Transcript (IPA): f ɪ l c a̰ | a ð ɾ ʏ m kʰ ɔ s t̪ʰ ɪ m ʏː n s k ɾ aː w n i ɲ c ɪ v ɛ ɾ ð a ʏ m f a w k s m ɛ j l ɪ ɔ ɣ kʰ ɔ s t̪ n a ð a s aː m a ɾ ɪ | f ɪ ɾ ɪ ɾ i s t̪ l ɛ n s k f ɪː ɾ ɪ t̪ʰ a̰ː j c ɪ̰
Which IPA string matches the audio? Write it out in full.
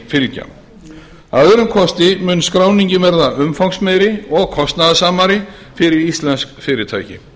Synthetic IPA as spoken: f ɪ l c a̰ | a ð ɾ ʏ m kʰ ɔ s t̪ ɪ m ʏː n s k ɾ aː w n i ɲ c ɪ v ɛ ɾ ð a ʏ m f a w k s m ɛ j ɾ ɪ ɔ ɣ kʰ ɔ s t̪ n a ð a s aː m a ɾ ɪ | f ɪ ɾ ɪ ɾ i s t̪ l ɛ n s k f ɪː ɾ ɪ t̪ʰ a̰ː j c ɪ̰